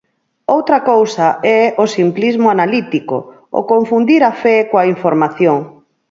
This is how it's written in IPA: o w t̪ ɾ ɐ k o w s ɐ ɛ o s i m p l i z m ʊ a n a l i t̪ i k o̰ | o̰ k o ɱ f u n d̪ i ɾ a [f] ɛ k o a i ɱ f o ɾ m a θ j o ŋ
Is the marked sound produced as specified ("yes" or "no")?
yes